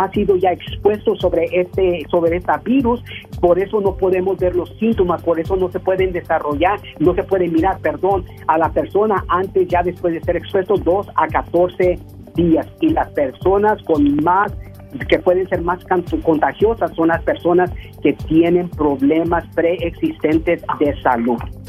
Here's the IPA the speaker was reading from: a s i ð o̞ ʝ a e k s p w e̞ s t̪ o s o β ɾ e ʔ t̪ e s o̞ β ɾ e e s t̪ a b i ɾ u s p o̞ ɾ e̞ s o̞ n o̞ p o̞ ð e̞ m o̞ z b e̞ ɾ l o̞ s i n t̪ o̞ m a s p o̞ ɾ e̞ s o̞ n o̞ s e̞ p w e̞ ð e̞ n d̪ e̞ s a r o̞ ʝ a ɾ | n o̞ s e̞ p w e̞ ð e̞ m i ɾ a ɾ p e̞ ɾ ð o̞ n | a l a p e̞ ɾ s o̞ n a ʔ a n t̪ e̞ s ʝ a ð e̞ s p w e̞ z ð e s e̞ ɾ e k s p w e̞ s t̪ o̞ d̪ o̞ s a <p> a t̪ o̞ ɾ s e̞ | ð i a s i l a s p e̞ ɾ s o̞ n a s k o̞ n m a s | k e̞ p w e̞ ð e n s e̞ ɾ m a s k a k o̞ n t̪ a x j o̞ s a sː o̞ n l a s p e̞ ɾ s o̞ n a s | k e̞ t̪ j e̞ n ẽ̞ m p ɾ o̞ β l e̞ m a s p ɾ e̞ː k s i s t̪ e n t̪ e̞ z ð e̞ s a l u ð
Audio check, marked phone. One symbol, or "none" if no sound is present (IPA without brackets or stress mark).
k